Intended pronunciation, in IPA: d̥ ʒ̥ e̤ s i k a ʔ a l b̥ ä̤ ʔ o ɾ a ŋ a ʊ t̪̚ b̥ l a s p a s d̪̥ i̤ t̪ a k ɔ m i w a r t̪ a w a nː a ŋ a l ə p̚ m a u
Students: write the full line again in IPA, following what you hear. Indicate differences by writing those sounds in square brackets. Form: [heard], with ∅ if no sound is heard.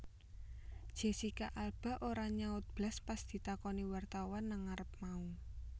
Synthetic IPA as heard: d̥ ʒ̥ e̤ s i k a ʔ a l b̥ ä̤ ʔ o ɾ a [ɲ] a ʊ t̪̚ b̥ l a s p a s d̪̥ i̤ t̪ a k ɔ [n] i w a r t̪ a w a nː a ŋ a [ɾ] ə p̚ m a u